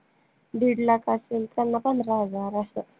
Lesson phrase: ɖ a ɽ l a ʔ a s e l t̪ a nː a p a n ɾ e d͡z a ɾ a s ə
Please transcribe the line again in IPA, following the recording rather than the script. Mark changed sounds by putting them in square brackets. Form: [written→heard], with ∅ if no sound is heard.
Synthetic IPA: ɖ [a→i] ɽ l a [ʔ→k] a s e l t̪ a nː a p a n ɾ [e→a] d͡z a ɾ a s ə